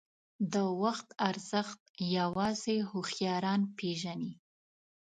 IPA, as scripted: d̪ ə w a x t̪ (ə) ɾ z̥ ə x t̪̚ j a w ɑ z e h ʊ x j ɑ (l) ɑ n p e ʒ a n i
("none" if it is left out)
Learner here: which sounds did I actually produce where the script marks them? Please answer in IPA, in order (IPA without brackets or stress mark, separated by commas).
a, ɾ